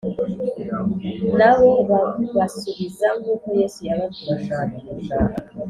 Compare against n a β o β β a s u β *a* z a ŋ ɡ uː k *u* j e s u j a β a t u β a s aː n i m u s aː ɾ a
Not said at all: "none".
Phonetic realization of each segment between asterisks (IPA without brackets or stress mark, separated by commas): i, o